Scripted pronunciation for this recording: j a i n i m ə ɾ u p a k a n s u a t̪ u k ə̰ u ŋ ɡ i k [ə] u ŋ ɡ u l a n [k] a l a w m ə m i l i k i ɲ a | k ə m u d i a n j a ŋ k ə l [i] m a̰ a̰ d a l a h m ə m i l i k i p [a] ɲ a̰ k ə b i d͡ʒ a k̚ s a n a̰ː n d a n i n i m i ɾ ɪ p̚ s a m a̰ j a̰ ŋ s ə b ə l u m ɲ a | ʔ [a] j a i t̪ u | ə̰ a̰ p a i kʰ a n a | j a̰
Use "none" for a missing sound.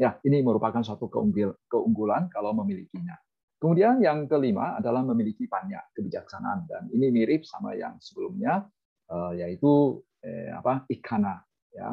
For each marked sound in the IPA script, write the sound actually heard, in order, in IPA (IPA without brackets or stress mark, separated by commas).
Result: ə, k, i, a, ə